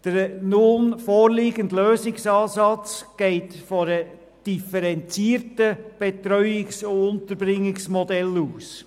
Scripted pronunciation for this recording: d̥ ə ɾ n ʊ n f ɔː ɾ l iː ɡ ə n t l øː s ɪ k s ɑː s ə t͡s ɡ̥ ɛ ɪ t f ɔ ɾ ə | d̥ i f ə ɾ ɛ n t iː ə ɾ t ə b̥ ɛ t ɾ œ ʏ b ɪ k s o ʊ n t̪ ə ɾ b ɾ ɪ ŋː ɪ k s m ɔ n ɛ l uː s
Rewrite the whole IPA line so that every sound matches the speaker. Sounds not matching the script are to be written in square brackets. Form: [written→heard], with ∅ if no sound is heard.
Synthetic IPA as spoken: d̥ ə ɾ n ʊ n f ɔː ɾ l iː ɡ ə n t l øː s ɪ k s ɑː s [ə→ɑ] t͡s ɡ̥ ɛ ɪ t f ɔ ɾ ə | d̥ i f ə ɾ ɛ n [t→t͡s] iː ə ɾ t ə b̥ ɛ t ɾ œ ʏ [b→∅] ɪ k s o ʊ n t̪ ə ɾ b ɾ ɪ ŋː ɪ k s m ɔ [n→d] ɛ l uː s